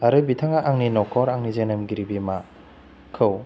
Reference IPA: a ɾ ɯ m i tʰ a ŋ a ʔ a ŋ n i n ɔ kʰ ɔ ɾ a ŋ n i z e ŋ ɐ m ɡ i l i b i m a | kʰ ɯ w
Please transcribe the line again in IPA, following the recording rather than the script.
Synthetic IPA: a ɾ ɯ b i tʰ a ŋ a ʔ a ŋ n i n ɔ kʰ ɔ ɾ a ŋ n i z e n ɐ m ɡ i ɾ i b i m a | kʰ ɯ w

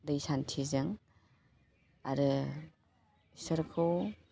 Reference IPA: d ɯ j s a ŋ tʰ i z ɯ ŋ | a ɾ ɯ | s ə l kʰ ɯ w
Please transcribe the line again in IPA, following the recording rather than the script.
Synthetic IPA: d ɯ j s a n tʰ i z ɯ ŋ | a ɾ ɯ | s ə ɾ kʰ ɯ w

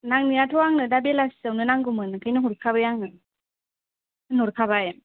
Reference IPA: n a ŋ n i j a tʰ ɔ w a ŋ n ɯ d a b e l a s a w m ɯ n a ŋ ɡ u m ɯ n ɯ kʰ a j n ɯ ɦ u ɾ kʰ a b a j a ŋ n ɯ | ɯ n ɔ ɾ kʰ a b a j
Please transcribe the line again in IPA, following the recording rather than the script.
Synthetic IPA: n a ŋ n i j a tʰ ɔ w a ŋ n ɯ d a b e l a s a w n ɯ n a ŋ ɡ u m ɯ n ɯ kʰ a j n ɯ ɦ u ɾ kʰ a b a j a ŋ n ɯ | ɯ n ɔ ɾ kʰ a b a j

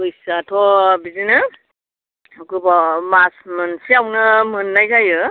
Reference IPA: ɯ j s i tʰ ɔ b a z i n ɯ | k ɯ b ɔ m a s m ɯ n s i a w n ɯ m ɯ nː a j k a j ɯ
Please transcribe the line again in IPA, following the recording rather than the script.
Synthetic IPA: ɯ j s a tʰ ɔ b i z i n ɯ | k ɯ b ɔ m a s m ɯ n s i a w n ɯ m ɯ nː a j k a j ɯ

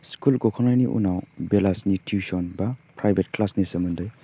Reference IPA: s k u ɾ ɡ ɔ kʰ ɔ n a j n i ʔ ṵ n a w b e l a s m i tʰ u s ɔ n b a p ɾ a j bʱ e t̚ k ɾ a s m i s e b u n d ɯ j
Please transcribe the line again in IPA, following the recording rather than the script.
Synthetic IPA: s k u l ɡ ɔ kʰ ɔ n a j n i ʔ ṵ n a w b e l a s n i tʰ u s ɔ n b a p ɾ a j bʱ e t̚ k l a s n i s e m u n d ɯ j

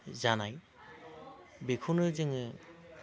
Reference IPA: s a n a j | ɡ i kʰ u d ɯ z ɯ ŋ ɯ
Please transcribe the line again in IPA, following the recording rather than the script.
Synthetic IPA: z a n a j | b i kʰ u n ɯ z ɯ ŋ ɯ

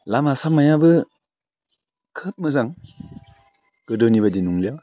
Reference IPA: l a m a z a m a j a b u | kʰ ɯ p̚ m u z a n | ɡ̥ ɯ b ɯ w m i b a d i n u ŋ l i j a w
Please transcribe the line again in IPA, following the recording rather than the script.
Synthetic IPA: l a m a s a m a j a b ɯ | kʰ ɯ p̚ m ɯ z a ŋ | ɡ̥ ɯ d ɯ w n i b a d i n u ŋ l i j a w

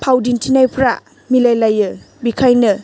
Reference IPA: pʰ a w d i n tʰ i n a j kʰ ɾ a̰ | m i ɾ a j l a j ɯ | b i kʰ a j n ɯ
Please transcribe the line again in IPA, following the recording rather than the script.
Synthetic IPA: pʰ a w d i n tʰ i n a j pʰ ɾ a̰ | m i l a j l a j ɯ | b i kʰ a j n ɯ

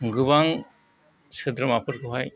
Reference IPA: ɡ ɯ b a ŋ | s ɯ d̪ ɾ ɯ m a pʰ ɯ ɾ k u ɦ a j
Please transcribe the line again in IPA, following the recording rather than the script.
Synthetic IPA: ɡ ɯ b a ŋ | s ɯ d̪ ɾ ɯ m a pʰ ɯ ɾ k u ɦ a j

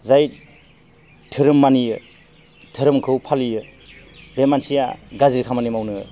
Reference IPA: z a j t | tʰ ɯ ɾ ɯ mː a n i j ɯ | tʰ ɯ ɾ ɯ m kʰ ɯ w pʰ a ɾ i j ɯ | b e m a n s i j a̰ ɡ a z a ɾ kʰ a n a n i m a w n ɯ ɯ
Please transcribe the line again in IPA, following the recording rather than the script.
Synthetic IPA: z a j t | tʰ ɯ ɾ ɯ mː a n i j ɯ | tʰ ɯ ɾ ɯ m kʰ ɯ w pʰ a l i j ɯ | b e m a n s i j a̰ ɡ a z i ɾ kʰ a m a n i m a w n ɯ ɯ

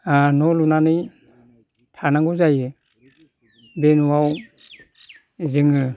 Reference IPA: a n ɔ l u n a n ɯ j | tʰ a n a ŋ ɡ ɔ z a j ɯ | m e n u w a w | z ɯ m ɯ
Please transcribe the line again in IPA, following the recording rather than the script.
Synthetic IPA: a n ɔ l u n a n ɯ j | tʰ a n a ŋ ɡ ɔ z a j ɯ | b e n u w a w | z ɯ ŋ ɯ

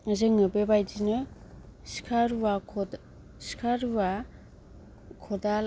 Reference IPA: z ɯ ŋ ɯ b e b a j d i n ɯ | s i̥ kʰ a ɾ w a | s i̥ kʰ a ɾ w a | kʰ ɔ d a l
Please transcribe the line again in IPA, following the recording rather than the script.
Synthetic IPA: z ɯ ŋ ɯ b e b a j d i n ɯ | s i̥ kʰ a ɾ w a | s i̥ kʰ a ɾ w a | kʰ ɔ d a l

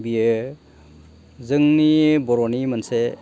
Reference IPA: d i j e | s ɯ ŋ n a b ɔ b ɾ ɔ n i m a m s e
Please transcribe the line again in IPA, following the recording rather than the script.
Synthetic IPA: b i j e | z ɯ ŋ n i b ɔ ɾ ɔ n i m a n s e

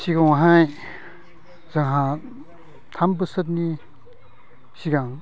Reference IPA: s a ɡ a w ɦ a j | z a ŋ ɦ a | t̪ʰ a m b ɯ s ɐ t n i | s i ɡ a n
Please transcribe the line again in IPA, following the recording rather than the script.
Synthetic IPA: s i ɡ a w ɦ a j | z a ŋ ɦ a | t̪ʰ a m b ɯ s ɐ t n i | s i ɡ a ŋ

